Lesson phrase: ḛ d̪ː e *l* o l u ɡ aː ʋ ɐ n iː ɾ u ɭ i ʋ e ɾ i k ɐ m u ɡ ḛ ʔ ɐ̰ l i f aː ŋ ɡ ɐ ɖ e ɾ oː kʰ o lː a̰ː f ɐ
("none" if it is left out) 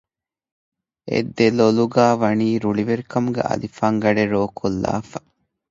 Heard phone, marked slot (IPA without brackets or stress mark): l